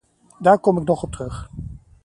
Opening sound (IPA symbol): d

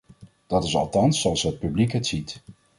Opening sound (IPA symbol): d̥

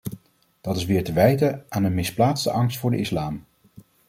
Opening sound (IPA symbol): d̥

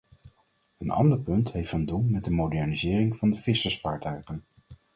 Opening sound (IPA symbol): ə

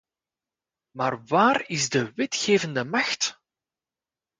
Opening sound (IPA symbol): m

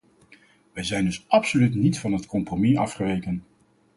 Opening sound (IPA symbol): ʋ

